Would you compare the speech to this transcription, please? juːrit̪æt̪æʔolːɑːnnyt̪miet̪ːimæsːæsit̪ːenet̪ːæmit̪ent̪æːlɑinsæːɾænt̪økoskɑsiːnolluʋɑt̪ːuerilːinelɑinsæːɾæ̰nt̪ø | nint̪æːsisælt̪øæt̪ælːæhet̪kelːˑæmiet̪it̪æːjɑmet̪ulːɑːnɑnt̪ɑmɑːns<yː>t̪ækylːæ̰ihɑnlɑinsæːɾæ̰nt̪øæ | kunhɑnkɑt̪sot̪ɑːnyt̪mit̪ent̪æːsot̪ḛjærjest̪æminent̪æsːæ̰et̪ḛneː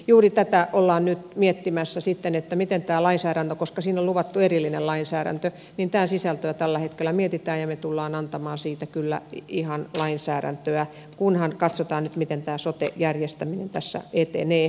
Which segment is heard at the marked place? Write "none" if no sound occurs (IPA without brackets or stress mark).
iː